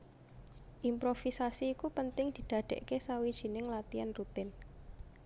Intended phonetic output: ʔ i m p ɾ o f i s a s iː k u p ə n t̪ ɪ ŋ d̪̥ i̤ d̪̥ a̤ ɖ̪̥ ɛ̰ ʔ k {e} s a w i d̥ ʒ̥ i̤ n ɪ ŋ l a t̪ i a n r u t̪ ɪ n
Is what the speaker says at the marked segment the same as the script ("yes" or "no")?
yes